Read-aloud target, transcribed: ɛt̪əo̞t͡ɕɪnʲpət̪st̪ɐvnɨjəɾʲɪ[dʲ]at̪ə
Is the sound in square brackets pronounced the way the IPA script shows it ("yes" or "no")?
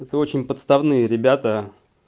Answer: no